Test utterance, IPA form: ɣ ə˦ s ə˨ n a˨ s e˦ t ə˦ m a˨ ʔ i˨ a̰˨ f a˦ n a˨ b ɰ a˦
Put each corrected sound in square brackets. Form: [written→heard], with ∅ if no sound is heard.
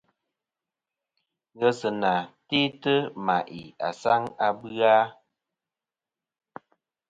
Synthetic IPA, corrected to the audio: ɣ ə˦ s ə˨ n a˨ [s→t] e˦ t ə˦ m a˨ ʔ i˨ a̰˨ [f→s] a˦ [n→ŋ] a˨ b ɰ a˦